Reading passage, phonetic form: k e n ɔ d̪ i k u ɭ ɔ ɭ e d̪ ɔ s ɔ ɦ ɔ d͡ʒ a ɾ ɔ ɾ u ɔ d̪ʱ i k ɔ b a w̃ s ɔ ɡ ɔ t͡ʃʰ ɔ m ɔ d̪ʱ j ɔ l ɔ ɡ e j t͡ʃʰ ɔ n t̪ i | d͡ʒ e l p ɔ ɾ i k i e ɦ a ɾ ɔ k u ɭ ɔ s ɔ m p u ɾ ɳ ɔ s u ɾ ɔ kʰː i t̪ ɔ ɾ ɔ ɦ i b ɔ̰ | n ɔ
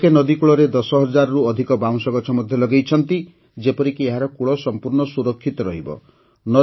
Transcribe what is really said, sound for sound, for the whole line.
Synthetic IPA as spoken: k e n ɔ d̪ i k u ɭ ɔ ɾ e d̪ ɔ s ɔ ɦ ɔ d͡ʒ a ɾ ɔ ɾ u ɔ d̪ʱ i k ɔ b a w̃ s ɔ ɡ ɔ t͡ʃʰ ɔ m ɔ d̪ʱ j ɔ l ɔ ɡ e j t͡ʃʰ ɔ n t̪ i | d͡ʒ e p ɔ ɾ i k i e ɦ a ɾ ɔ k u ɭ ɔ s ɔ m p u ɾ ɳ ɔ s u ɾ ɔ kʰː i t̪ ɔ ɾ ɔ ɦ i b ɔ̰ | n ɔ